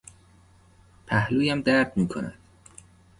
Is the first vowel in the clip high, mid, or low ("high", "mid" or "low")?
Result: low